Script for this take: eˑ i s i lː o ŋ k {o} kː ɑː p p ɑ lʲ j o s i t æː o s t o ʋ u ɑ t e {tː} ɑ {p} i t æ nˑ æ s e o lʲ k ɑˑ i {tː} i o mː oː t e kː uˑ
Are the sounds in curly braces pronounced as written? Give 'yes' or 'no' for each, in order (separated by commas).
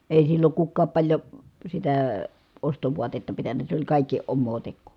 no, yes, yes, no